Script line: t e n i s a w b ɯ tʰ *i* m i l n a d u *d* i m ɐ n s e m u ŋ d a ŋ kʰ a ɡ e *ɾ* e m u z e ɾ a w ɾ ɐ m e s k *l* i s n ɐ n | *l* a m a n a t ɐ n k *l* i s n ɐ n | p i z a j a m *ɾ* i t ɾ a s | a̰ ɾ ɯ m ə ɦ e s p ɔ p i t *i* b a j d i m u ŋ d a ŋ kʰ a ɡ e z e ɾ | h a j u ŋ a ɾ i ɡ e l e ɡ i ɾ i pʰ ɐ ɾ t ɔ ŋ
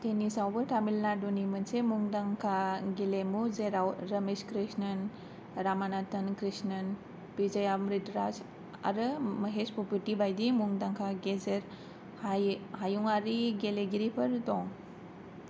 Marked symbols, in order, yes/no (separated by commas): no, no, no, no, no, no, yes, yes